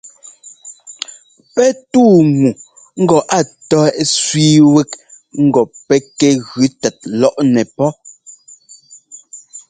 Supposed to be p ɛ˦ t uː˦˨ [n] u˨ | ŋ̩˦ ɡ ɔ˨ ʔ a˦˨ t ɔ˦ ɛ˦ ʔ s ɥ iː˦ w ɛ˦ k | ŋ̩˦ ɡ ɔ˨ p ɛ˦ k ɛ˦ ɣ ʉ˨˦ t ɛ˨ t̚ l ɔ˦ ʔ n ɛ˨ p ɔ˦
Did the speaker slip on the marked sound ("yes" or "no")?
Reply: yes